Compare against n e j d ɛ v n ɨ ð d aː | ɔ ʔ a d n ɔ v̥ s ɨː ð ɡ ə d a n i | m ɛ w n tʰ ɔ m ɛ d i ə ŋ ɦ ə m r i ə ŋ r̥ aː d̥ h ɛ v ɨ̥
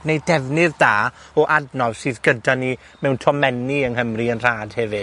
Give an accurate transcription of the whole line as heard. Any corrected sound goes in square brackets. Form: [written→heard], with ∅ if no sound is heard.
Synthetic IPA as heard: n e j d ɛ v n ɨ ð d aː | ɔ ʔ a d n ɔ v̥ s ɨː ð ɡ ə d a n i | m ɛ w n tʰ ɔ m ɛ [d→n] i ə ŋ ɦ ə m r i ə [ŋ→n] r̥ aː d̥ h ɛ v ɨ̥